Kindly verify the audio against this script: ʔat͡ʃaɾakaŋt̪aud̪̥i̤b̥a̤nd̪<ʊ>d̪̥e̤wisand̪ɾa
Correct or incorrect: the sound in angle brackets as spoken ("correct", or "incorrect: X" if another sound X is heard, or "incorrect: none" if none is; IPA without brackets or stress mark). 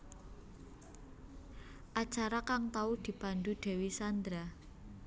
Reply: incorrect: u